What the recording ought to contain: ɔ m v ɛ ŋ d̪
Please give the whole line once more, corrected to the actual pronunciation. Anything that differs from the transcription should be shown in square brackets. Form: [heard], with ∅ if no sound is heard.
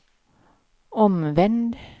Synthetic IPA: ɔ m [ʋ] ɛ [n] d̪

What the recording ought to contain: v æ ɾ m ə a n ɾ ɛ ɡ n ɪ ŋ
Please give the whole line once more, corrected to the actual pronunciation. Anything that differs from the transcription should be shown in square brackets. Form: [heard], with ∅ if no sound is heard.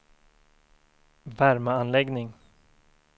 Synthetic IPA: v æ ɾ m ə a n [l] ɛ ɡ n ɪ ŋ

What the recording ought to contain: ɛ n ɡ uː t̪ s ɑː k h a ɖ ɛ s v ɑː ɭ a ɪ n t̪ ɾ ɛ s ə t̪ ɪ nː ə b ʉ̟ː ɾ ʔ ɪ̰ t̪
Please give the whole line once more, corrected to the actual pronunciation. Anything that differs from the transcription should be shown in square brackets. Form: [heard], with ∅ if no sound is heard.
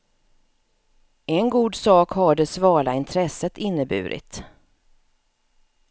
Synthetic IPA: ɛ n ɡ uː [d̪] s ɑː k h a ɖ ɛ s v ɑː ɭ a ɪ n [t̪ʰ] ɾ ɛ s ə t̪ ɪ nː ə b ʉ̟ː ɾ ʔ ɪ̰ t̪

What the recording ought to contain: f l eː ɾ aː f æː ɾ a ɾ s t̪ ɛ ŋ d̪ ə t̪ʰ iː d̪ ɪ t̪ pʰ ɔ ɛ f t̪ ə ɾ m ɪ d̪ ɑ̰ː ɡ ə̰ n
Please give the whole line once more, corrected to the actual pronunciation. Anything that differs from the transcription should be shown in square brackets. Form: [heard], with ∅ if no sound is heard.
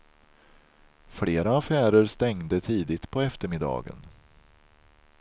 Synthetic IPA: f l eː ɾ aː f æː ɾ [ə] ɾ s t̪ ɛ ŋ d̪ ə t̪ʰ iː d̪ ɪ t̪ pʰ ɔ ɛ f t̪ ə ɾ m ɪ d̪ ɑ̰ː ɡ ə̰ n

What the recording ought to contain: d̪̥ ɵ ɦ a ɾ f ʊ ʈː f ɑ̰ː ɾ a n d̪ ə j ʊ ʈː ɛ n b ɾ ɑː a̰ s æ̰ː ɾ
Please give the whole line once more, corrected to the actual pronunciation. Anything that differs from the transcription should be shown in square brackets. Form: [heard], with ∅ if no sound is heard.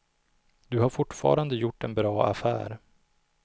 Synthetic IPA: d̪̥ ɵ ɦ a ɾ f ʊ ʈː f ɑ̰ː ɾ a n d̪ ə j ʊ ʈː ɛ n b ɾ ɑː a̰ [f] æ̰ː ɾ

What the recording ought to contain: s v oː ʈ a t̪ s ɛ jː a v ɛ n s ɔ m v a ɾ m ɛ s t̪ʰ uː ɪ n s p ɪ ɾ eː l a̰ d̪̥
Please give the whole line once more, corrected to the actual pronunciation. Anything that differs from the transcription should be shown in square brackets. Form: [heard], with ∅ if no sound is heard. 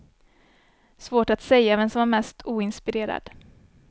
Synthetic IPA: s v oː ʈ a t̪ s ɛ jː a v ɛ n s ɔ m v a ɾ m ɛ s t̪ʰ uː ɪ n s p ɪ ɾ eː [ɾ] a̰ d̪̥

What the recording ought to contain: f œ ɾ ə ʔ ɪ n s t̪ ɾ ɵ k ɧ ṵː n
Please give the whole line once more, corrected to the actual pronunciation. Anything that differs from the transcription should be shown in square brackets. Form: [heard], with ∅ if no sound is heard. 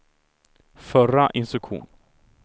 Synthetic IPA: f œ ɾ [a] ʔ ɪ n s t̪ ɾ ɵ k ɧ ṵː n

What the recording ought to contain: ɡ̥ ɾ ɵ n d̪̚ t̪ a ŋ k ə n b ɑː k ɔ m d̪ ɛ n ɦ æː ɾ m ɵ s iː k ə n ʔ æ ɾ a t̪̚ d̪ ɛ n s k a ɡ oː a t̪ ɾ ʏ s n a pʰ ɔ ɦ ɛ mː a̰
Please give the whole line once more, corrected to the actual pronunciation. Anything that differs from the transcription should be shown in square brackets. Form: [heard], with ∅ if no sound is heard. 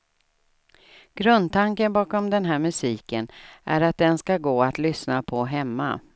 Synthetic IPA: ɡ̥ ɾ ɵ n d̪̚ t̪ a ŋ k ə n b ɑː k ɔ m d̪ ɛ n ɦ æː ɾ m ɵ s iː k ə n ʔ æ ɾ a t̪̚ d̪ ɛ n s k a ɡ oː a t̪ [l] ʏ s n a pʰ ɔ ɦ ɛ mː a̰

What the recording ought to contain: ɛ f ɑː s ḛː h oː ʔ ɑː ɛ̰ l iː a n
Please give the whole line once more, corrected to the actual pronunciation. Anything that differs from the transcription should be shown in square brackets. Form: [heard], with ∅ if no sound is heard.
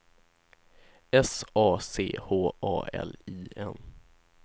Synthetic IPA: ɛ [s] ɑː s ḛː h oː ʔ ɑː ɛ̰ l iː [ɛ] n

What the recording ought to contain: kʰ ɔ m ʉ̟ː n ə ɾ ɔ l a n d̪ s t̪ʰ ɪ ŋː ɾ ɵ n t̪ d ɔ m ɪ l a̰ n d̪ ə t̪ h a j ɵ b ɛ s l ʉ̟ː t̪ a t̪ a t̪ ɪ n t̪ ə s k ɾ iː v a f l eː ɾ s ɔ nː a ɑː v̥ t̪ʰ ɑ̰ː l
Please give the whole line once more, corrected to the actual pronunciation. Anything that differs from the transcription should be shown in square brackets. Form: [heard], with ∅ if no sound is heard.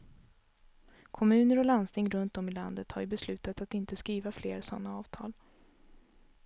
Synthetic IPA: kʰ ɔ m ʉ̟ː n ə ɾ ɔ l a n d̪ s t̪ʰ ɪ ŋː ɾ ɵ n t̪ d ɔ m ɪ l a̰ n d̪ ə t̪ h a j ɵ b ɛ s l ʉ̟ː t̪ a t̪ a t̪ ɪ n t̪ ə s k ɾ iː v a f l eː ɾ s ɔ nː a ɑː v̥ t̪ʰ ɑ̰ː l

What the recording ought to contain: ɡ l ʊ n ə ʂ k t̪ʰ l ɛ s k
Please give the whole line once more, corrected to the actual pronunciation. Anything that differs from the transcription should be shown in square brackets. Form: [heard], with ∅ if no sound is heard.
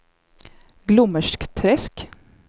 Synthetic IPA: ɡ l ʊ [m] ə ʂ k t̪ʰ [ɾ] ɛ s k

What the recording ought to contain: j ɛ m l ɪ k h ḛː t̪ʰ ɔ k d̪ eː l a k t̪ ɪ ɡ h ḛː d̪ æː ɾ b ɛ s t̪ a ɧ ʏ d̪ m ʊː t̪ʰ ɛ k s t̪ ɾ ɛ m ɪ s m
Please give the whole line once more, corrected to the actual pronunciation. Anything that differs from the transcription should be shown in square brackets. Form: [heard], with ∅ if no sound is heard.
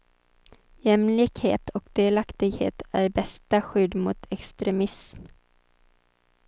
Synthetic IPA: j ɛ m l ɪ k h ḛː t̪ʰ ɔ k d̪ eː l a k t̪ ɪ ɡ h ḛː [t̪] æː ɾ b ɛ s t̪ a ɧ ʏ d̪ m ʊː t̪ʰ ɛ k s t̪ ɾ ɛ m ɪ s m

